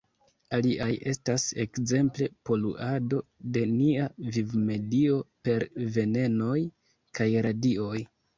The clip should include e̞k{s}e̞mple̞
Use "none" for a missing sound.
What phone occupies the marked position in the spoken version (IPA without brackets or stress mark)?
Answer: z